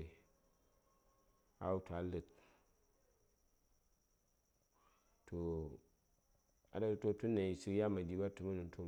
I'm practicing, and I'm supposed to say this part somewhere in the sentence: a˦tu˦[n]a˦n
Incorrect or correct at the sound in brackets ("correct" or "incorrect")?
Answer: incorrect